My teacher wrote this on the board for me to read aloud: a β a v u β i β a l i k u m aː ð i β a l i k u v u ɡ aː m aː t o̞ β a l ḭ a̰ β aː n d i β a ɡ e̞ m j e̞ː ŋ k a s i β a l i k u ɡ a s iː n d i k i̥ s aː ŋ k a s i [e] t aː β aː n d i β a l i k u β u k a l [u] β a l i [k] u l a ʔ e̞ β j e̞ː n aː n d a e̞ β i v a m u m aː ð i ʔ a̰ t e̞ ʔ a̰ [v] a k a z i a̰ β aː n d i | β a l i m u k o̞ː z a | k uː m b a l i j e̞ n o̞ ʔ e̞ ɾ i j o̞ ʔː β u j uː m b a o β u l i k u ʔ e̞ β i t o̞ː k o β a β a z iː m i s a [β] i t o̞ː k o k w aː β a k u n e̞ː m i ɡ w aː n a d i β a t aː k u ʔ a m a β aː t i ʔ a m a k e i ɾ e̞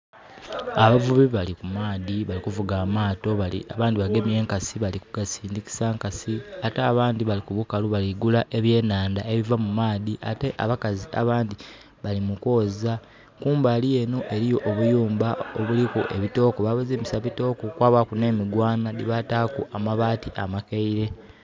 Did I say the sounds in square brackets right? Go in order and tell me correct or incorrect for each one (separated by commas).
incorrect, correct, incorrect, incorrect, correct